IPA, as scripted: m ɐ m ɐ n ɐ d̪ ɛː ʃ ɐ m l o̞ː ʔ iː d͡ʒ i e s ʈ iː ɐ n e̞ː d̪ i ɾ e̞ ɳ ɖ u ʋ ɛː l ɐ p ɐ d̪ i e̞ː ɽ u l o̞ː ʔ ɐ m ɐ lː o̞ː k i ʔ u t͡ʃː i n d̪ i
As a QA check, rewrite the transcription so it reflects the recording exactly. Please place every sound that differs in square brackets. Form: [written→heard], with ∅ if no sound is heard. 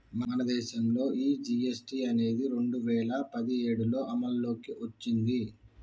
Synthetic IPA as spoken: m ɐ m ɐ n ɐ d̪ ɛː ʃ ɐ m l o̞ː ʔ iː d͡ʒ i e s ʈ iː ɐ n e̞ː d̪ i ɾ e̞ ɳ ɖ u ʋ ɛː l ɐ p ɐ d̪ i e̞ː ɽ u l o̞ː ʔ ɐ m ɐ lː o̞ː k i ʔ [u→o] t͡ʃː i n d̪ i